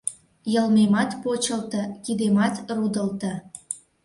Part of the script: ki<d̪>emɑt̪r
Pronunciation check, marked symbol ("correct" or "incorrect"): correct